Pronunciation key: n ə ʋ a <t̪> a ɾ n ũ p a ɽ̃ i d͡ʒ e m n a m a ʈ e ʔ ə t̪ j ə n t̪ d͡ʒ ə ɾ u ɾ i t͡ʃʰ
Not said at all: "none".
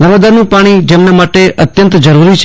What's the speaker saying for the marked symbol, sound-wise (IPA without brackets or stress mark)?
d̪